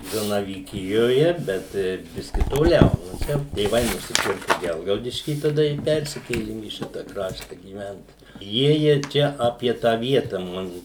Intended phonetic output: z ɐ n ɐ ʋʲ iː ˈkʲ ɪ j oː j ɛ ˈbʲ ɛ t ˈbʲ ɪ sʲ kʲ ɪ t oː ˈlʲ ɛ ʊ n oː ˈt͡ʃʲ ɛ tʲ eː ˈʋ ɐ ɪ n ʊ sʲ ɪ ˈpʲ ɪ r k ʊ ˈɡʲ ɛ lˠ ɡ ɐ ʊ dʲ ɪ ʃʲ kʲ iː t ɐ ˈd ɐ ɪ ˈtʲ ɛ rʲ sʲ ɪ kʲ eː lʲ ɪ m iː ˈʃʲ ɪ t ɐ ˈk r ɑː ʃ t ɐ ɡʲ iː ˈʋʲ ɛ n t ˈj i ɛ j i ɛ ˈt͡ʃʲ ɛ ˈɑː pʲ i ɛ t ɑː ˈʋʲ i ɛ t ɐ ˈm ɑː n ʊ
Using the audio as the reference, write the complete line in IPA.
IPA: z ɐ n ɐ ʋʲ iː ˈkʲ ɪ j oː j ɛ ˈbʲ ɛ t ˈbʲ ɪ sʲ kʲ ɪ t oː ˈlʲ ɛ ʊ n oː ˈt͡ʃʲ ɛ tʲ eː ˈʋ ɐ ɪ n ʊ sʲ ɪ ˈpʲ ɪ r k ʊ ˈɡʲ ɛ lˠ ɡ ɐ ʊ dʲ ɪ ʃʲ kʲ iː t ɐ ˈd ɐ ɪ ˈpʲ ɛ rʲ sʲ ɪ kʲ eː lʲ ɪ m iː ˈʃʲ ɪ t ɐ ˈk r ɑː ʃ t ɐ ɡʲ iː ˈʋʲ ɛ n t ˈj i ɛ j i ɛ ˈt͡ʃʲ ɛ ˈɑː pʲ i ɛ t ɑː ˈʋʲ i ɛ t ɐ ˈm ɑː n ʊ

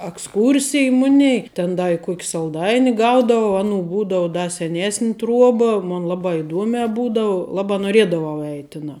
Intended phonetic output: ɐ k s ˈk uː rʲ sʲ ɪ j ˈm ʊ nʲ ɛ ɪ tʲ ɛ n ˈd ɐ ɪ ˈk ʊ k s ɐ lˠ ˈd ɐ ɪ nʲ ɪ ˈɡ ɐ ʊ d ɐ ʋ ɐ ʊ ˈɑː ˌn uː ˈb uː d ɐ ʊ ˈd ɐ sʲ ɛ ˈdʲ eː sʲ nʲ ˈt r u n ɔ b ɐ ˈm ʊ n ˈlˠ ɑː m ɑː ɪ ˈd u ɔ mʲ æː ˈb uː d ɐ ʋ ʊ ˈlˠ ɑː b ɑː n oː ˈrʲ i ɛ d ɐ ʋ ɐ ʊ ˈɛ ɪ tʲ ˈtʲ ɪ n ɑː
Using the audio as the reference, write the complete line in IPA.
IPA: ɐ k s ˈk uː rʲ sʲ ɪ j ˈm ʊ nʲ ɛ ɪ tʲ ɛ n ˈd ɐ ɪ ˈk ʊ k s ɐ lˠ ˈd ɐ ɪ nʲ ɪ ˈɡ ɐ ʊ d ɐ ʋ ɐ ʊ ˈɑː ˌn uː ˈb uː d ɐ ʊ ˈd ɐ sʲ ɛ ˈnʲ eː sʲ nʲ ˈt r u ɔ b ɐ ˈm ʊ n ˈlˠ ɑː b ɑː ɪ ˈd u ɔ mʲ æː ˈb uː d ɐ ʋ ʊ ˈlˠ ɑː b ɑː n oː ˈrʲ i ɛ d ɐ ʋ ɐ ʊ ˈɛ ɪ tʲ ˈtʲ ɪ n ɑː

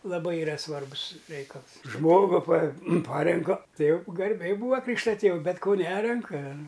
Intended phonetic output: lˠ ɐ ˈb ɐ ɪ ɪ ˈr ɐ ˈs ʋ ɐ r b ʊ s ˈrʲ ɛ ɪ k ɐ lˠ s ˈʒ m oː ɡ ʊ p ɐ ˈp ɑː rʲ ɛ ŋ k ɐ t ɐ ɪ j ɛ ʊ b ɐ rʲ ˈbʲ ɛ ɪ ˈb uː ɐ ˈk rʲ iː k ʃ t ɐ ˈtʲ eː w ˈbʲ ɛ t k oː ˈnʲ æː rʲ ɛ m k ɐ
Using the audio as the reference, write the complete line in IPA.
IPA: lˠ ɐ ˈb ɐ ɪ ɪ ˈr ɐ ˈs ʋ ɐ r b ʊ s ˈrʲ ɛ ɪ k ɐ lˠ s ˈʒ m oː ɡ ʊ p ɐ ˈp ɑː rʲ ɛ ŋ k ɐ t ɐ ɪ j ɛ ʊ ɡ ɐ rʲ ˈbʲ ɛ ɪ ˈb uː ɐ ˈk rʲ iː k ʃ t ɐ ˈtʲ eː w ˈbʲ ɛ t k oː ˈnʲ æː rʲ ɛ ŋ k ɐ

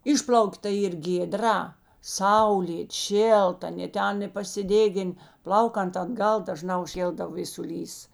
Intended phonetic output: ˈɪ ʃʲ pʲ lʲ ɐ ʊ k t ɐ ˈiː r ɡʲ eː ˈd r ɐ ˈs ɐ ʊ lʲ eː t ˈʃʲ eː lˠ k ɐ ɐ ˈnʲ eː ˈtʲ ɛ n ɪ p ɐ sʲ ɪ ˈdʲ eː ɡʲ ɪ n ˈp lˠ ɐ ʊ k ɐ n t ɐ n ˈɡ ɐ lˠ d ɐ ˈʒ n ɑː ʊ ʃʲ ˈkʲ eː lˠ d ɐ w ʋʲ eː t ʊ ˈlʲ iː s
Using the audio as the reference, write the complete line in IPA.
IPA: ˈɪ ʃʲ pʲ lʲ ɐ ʊ k t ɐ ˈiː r ɡʲ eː ˈd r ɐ ˈs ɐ ʊ lʲ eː t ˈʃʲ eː lˠ t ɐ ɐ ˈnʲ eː ˈtʲ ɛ n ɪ p ɐ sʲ ɪ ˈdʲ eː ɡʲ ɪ n ˈp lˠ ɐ ʊ k ɐ n t ɐ d ˈɡ ɐ lˠ d ɐ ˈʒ n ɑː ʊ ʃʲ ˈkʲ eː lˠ d ɐ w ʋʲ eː s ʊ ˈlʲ iː s

